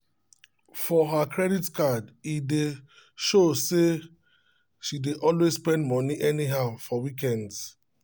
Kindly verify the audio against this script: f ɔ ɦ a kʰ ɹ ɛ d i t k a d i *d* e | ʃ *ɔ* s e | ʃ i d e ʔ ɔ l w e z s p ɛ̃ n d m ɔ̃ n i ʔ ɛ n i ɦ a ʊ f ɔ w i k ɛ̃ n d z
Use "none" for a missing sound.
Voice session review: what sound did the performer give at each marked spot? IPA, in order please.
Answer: d, o

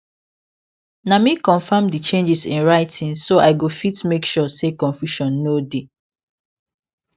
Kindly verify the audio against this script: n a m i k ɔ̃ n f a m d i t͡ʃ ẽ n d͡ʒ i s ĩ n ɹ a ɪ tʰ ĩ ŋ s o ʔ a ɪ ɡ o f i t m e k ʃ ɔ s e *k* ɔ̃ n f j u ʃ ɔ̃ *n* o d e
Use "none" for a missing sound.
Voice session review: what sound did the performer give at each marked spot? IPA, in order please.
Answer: k, nː

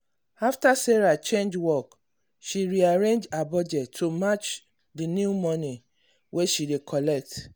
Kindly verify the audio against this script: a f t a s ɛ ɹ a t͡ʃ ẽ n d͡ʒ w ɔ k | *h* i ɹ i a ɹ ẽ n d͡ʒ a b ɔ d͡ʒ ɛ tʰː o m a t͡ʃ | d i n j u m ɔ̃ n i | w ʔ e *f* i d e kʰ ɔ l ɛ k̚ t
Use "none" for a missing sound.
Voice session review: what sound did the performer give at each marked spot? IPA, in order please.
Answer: ʃ, ʃ

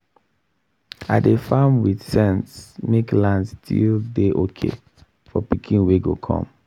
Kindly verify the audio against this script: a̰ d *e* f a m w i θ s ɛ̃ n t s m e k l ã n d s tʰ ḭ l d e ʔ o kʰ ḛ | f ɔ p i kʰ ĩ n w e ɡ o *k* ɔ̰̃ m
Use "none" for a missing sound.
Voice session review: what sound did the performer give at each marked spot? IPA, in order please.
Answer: e, kʰ

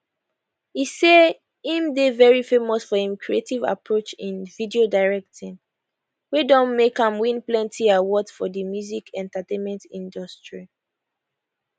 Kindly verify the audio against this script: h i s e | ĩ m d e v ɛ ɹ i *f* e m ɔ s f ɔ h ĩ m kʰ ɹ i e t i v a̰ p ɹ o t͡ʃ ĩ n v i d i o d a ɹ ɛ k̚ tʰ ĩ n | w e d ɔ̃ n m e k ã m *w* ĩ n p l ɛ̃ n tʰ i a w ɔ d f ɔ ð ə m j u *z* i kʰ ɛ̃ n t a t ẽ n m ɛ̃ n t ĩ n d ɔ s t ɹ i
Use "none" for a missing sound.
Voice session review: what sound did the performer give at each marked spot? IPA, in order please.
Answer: f, w, z

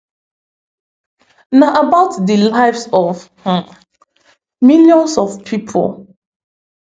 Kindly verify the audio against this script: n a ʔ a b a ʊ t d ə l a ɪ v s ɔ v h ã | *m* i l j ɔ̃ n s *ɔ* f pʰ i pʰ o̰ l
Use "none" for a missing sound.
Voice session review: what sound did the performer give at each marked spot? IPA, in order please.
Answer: m, ɔ

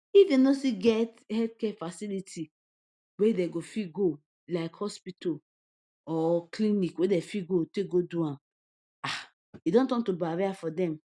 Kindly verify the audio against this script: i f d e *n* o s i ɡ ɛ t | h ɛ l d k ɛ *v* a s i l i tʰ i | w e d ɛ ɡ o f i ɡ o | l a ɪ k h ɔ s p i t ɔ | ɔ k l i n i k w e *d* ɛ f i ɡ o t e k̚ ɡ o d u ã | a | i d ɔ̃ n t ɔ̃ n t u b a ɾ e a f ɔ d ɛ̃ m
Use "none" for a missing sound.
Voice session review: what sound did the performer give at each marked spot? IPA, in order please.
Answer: n, f, d

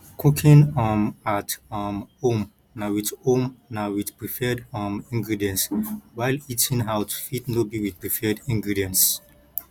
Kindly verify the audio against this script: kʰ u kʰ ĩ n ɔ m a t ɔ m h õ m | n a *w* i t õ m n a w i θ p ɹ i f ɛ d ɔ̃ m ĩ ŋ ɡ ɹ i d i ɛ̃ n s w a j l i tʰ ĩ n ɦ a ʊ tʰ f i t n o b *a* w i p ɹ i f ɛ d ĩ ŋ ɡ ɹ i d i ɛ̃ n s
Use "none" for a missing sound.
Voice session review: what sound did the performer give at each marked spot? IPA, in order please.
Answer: w, i

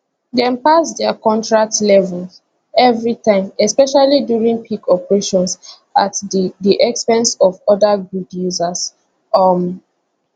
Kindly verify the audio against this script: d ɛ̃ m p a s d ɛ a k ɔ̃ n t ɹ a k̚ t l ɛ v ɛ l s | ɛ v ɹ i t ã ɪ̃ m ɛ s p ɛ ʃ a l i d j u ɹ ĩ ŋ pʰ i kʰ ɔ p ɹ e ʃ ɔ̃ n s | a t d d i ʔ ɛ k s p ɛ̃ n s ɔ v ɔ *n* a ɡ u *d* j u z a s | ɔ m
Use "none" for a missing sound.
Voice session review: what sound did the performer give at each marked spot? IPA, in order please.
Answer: d, d

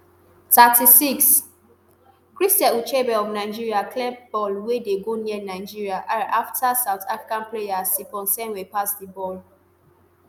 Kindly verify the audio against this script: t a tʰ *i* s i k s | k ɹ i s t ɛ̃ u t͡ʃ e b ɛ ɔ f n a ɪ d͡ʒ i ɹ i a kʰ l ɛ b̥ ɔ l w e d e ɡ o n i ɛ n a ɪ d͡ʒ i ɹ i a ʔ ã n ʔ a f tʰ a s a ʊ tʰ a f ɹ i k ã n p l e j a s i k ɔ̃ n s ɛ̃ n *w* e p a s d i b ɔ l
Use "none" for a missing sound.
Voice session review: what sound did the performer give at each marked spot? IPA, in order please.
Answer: i, w

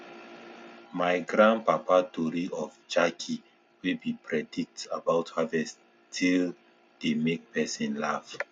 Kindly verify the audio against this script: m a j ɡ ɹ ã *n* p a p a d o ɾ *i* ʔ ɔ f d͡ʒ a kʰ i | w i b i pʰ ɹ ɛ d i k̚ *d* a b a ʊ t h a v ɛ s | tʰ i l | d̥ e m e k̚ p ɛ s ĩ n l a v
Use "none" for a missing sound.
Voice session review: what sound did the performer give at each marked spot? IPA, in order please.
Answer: n, i, t

